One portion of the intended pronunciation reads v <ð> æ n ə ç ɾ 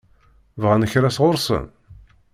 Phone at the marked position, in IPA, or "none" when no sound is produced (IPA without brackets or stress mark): ʁ